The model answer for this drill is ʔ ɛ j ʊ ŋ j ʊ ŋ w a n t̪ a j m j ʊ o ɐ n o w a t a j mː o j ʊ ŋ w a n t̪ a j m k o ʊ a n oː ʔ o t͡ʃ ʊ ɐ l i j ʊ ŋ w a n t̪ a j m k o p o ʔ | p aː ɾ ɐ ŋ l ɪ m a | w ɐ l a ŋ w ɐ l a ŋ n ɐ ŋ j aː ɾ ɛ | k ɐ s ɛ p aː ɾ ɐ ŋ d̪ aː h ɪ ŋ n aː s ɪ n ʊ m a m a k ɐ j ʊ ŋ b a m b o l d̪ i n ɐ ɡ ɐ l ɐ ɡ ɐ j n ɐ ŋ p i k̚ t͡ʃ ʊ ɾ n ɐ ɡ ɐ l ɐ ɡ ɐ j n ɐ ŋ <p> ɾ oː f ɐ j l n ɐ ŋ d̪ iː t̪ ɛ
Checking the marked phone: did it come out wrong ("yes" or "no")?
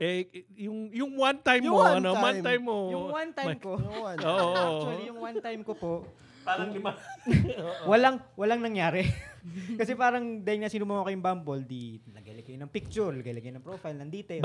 no